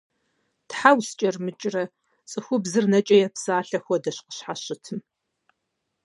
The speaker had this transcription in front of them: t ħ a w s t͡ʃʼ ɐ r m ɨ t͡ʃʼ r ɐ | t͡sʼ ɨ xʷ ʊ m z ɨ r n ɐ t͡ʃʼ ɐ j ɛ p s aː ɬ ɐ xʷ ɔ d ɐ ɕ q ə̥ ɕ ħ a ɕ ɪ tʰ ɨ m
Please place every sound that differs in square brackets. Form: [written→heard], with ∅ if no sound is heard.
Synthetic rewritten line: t ħ a w s t͡ʃʼ ɐ r m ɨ t͡ʃʼ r ɐ | t͡sʼ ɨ xʷ ʊ [m→b] z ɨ r n ɐ t͡ʃʼ ɐ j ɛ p s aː ɬ ɐ xʷ ɔ d ɐ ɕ q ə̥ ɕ ħ a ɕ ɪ tʰ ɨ m